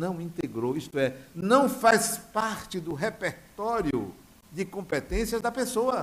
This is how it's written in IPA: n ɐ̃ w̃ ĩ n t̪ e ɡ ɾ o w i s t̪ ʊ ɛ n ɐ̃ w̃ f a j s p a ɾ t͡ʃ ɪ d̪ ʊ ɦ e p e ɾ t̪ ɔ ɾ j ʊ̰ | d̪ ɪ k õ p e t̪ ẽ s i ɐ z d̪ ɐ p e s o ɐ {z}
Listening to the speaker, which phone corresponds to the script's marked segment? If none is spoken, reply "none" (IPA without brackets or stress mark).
none